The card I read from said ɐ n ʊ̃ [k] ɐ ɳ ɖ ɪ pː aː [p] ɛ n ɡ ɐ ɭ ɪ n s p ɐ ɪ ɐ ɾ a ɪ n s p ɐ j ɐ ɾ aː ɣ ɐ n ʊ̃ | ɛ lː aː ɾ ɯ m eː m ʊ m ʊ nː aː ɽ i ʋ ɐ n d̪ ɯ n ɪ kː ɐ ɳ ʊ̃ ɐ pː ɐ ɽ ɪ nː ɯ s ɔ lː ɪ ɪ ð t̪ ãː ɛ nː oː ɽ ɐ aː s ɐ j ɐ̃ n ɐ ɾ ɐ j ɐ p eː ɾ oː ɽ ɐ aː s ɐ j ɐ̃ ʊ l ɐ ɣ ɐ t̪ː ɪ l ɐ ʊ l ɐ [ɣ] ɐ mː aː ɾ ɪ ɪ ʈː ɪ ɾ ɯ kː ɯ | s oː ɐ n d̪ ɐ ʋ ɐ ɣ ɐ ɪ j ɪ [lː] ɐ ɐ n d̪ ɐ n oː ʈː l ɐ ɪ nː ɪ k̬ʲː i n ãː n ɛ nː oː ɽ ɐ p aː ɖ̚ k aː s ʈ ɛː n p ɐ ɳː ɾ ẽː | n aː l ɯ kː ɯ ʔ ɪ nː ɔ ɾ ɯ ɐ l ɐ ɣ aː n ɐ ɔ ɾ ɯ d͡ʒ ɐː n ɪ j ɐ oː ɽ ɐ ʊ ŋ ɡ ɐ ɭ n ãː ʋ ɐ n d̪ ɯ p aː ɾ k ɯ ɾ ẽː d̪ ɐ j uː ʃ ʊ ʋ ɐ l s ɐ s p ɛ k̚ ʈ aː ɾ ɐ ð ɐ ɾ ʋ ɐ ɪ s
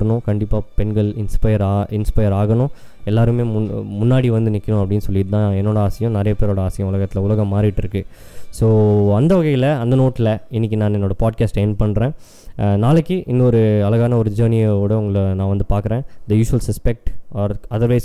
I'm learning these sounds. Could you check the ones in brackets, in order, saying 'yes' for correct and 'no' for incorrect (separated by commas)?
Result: yes, yes, yes, no